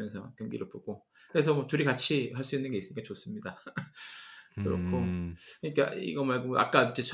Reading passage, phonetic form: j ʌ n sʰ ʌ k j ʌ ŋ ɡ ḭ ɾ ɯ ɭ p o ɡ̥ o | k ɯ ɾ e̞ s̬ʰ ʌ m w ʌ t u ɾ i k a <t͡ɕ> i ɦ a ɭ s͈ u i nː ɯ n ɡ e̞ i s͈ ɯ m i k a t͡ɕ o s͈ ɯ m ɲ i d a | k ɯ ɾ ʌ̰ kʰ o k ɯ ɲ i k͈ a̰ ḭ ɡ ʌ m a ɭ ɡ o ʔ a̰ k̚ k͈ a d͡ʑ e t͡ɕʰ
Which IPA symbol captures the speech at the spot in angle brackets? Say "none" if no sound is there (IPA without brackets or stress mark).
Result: t͡ɕʰ